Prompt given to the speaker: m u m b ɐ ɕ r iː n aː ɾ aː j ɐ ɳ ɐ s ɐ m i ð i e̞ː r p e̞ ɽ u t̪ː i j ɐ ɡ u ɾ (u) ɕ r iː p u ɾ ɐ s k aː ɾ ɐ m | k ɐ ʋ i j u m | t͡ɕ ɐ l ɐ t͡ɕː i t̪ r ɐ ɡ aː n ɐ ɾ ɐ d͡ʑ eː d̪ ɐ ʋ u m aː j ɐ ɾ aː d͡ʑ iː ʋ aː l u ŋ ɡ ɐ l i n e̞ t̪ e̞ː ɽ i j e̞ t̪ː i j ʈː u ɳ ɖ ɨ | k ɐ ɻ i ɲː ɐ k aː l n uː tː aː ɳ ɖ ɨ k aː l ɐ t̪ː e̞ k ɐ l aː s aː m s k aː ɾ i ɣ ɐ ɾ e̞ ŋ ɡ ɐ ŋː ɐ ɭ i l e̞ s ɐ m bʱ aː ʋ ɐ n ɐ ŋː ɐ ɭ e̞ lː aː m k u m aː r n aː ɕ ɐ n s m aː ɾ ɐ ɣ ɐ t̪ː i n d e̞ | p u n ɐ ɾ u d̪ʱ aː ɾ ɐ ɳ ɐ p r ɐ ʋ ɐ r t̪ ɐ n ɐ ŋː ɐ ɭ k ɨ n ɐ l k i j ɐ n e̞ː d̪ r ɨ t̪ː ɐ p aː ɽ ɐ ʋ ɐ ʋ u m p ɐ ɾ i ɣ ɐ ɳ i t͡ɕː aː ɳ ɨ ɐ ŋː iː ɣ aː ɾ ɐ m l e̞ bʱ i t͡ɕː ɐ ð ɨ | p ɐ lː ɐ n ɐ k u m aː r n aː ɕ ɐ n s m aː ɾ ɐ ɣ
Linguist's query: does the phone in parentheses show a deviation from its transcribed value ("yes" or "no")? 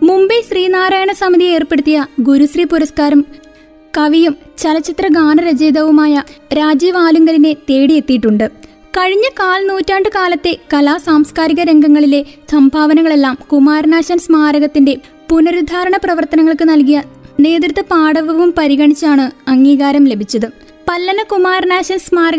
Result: no